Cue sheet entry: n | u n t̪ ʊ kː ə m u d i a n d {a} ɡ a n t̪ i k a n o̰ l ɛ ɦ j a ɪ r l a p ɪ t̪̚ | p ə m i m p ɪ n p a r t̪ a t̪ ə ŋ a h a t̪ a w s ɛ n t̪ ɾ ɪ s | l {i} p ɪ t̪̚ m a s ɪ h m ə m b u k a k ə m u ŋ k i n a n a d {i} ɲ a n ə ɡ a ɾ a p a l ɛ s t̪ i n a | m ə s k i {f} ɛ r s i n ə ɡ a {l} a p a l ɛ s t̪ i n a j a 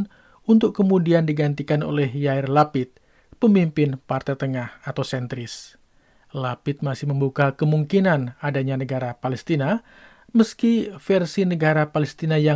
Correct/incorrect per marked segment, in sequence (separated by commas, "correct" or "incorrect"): incorrect, incorrect, incorrect, correct, incorrect